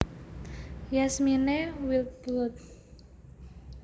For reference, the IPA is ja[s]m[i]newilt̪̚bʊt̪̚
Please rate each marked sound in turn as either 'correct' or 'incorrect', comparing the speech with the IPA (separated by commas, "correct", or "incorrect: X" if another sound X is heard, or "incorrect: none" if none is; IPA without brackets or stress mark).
correct, correct